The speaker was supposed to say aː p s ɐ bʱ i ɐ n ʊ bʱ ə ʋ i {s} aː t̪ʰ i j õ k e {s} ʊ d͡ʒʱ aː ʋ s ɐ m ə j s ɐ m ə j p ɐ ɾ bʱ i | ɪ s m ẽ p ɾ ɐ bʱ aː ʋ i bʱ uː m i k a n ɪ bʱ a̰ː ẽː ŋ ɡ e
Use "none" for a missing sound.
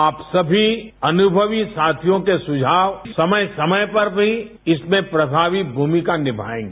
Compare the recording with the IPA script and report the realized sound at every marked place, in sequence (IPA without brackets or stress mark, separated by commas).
s, s